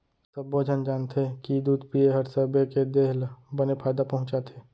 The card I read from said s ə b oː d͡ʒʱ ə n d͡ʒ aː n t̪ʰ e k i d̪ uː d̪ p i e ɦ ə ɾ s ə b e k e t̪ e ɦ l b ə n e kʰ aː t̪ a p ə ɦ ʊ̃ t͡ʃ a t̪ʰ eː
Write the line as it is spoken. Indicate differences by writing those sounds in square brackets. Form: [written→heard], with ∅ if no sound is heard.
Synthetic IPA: s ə b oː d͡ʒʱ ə n d͡ʒ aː n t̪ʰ e k i d̪ uː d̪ p i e ɦ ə ɾ s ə b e k e [t̪→d̪] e ɦ l b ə n e [kʰ→pʰ] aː [t̪→d̪] a p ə ɦ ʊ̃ t͡ʃ a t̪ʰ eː